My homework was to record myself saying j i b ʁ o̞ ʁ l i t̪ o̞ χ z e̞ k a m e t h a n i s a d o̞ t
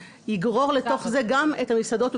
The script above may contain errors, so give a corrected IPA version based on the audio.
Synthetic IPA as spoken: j i ɡ ʁ o̞ ʁ l e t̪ o̞ χ z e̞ ɡ a m e t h a m i s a d o̞ t